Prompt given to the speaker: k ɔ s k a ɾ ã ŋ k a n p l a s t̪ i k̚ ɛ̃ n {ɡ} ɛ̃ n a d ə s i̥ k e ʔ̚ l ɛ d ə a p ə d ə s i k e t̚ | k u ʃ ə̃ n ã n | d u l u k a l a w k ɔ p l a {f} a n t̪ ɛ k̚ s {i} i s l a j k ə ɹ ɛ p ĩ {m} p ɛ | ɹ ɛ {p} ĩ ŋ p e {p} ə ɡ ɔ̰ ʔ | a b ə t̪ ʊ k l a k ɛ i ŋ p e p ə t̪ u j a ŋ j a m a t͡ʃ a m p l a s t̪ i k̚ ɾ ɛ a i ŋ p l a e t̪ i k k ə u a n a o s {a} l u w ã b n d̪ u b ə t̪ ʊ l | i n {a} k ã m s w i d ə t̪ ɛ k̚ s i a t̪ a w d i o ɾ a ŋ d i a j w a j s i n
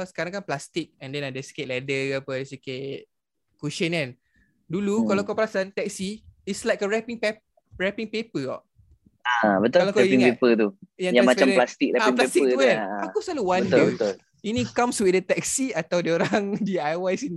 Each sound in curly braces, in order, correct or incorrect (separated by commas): incorrect, incorrect, correct, incorrect, correct, correct, correct, incorrect